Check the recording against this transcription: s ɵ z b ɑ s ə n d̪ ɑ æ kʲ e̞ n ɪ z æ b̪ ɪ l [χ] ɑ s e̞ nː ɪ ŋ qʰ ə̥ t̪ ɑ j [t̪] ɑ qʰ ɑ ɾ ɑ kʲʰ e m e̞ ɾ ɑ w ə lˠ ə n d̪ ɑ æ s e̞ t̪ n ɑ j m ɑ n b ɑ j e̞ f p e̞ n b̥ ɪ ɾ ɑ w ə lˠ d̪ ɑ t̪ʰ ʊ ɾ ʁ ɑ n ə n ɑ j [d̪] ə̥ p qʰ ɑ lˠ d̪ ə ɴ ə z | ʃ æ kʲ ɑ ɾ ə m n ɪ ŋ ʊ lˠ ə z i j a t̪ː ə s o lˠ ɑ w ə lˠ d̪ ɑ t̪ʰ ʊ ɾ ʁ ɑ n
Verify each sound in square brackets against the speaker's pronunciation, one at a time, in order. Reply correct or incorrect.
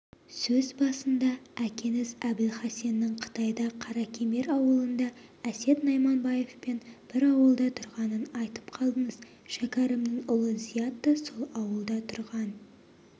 correct, incorrect: d̪, incorrect: t̪

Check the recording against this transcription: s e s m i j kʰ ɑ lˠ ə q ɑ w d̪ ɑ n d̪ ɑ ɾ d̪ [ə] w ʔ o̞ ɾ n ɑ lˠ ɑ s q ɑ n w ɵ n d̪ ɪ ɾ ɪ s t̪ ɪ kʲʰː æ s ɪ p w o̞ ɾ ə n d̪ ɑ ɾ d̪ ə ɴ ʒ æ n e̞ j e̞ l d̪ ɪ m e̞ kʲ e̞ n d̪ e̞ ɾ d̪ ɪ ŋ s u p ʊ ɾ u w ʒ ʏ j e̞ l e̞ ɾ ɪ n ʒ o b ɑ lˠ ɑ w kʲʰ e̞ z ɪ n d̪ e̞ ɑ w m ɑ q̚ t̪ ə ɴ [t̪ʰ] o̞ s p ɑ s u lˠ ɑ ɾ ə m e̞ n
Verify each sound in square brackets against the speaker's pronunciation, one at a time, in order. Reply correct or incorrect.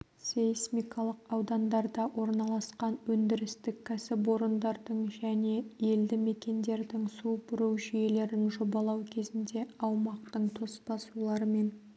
incorrect: ɑ, correct

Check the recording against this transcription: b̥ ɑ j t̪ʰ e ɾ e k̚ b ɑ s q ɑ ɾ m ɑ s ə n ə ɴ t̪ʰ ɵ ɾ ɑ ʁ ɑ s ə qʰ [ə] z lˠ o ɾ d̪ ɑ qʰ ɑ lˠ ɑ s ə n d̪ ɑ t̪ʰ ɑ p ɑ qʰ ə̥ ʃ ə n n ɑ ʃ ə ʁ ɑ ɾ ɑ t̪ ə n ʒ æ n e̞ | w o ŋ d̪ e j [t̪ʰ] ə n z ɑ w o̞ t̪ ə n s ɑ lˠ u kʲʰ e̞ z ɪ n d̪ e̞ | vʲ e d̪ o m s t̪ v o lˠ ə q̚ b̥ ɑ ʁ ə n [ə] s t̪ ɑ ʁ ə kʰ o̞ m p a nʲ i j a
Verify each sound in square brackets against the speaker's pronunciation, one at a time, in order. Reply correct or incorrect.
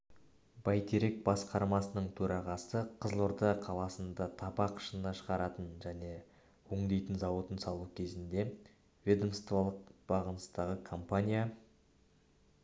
correct, incorrect: t̪, correct

